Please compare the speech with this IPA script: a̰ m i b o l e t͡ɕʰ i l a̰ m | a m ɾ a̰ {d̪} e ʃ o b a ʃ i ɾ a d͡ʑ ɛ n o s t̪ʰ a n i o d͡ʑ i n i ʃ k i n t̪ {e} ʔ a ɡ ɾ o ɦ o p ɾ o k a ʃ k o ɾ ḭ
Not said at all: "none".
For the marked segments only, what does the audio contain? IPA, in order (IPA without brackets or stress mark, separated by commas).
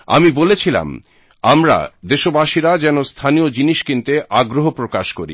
d̪, e